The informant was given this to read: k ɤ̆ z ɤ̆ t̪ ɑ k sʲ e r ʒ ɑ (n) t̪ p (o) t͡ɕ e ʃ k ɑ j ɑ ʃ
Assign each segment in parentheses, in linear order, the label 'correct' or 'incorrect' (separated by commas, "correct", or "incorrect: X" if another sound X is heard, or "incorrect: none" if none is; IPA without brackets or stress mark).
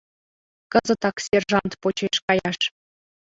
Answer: correct, correct